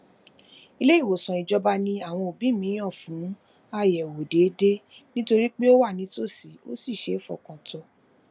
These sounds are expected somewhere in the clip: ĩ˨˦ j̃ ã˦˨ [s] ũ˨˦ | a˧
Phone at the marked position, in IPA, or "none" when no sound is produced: f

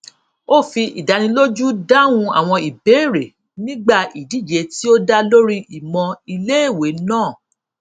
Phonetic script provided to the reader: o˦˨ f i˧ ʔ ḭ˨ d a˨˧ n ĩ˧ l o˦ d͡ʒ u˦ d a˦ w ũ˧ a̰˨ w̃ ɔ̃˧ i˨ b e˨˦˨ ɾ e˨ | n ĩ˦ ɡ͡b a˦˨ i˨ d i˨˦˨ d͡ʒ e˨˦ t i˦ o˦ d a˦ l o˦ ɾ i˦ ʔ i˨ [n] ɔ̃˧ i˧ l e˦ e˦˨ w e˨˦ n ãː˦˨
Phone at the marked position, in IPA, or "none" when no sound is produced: m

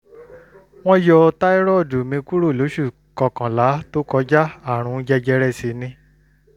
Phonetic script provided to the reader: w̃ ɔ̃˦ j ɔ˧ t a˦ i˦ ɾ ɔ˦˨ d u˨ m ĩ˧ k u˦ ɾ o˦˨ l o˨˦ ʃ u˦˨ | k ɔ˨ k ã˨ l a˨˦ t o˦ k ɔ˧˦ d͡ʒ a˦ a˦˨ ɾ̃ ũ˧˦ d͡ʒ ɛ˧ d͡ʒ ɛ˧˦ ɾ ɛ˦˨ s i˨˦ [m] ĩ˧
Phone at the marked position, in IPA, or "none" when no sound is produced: n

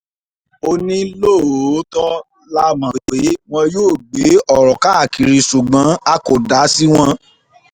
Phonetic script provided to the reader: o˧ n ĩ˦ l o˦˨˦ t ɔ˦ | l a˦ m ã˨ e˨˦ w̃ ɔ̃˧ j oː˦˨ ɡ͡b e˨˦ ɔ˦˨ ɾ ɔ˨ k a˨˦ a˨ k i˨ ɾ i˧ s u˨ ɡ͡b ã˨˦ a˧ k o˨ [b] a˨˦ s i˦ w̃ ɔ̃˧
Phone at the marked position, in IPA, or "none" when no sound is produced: d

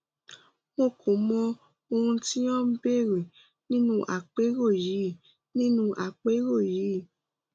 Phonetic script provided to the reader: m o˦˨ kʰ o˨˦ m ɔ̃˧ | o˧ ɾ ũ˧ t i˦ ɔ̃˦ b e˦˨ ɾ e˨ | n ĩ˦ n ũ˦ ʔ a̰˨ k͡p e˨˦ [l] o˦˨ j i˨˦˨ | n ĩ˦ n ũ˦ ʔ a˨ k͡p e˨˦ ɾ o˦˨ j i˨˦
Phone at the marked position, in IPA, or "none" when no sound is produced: ɾ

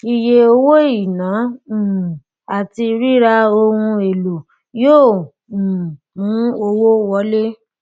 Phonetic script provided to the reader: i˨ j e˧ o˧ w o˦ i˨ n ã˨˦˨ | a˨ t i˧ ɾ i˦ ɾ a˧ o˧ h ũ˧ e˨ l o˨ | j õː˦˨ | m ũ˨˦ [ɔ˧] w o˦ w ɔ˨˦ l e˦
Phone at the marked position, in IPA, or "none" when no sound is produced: o˧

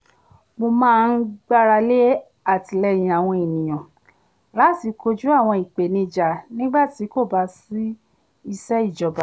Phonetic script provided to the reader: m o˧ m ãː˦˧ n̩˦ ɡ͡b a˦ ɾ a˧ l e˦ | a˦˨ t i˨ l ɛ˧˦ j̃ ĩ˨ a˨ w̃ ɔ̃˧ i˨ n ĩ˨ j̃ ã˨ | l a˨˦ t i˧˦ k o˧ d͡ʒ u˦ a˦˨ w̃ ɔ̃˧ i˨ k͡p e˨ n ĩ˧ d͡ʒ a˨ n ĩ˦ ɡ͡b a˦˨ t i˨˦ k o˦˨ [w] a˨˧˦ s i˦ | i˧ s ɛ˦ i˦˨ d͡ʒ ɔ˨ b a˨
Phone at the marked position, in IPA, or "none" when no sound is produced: b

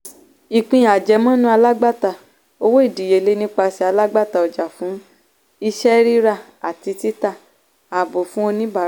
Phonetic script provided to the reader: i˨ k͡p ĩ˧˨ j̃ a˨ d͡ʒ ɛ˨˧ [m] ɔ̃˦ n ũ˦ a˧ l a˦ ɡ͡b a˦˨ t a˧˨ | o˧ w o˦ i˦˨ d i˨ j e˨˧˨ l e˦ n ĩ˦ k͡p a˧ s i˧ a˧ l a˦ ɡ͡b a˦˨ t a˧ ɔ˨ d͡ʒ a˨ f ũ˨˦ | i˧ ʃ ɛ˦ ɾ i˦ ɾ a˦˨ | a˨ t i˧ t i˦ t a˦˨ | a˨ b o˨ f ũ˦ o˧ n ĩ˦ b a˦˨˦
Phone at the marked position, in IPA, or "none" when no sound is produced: m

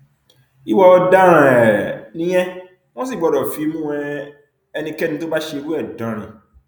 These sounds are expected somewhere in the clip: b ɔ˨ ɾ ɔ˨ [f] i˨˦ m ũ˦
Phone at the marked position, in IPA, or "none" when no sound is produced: f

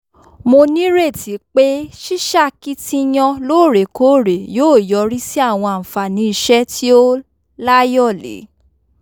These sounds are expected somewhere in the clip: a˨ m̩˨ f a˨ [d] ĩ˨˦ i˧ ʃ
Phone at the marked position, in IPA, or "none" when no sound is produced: n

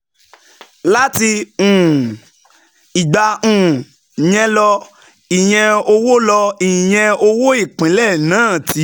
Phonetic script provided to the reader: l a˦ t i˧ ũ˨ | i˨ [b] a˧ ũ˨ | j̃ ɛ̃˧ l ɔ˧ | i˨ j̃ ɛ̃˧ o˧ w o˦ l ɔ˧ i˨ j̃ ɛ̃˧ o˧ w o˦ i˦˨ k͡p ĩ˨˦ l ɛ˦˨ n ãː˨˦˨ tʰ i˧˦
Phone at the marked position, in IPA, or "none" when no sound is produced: ɡ͡b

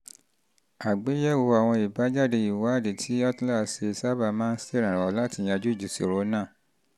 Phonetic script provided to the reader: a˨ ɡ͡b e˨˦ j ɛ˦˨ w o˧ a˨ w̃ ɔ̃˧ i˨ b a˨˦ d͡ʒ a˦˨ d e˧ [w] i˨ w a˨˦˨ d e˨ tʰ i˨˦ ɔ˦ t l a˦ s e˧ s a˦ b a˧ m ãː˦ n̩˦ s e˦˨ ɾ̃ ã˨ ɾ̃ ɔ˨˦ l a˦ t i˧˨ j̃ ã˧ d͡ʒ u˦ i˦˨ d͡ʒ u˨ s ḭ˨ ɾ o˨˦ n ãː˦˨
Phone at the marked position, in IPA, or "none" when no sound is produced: none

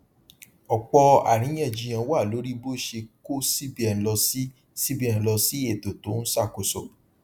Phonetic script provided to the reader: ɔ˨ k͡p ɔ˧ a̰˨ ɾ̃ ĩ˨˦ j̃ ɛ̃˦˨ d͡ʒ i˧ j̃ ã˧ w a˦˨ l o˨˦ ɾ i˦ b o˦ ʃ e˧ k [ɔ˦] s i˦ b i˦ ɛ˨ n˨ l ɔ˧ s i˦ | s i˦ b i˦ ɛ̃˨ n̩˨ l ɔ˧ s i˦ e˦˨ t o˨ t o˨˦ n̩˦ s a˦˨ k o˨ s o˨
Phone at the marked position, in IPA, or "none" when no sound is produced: o˦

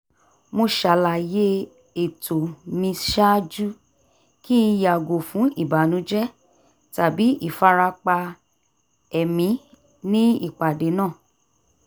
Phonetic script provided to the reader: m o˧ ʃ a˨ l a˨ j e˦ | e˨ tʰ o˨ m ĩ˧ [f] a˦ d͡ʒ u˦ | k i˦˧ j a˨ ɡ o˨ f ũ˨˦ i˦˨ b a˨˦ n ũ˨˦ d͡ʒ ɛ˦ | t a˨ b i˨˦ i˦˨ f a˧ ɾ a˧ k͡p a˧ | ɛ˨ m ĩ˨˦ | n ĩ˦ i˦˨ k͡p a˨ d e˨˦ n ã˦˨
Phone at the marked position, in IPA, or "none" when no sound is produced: ʃ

